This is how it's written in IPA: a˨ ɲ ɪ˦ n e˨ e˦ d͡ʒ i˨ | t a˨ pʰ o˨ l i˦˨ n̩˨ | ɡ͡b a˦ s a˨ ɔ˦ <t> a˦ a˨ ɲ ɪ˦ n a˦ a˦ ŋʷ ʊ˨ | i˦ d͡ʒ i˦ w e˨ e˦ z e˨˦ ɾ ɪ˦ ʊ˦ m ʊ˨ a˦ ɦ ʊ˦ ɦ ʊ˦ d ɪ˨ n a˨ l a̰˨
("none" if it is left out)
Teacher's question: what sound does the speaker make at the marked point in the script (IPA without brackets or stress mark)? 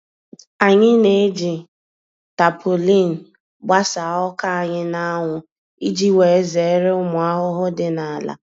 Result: k